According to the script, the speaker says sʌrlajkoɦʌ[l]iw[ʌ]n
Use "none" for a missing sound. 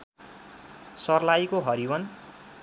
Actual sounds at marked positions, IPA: ɾ, ʌ

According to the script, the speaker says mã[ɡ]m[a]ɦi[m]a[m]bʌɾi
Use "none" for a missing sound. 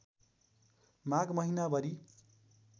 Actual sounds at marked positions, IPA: ɡ, ʌ, n, none

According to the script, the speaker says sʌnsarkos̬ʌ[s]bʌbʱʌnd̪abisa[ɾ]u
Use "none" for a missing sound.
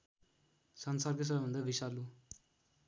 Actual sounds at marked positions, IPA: none, l

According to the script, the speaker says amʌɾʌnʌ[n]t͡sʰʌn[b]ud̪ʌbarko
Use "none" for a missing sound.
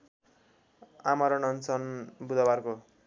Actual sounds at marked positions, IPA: n, b

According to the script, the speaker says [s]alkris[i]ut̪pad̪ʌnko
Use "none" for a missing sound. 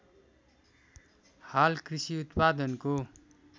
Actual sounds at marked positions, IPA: h, i

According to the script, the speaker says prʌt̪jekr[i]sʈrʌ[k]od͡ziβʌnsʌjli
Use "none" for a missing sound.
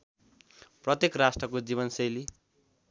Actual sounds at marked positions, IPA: a, k

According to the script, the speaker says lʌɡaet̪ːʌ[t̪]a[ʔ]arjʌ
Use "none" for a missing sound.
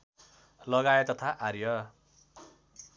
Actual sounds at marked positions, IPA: t̪ʰ, ʔ

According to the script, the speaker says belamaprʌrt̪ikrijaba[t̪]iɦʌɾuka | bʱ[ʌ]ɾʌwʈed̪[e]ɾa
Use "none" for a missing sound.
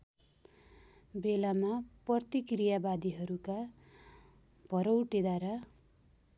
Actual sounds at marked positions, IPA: d̪, ʌ, a

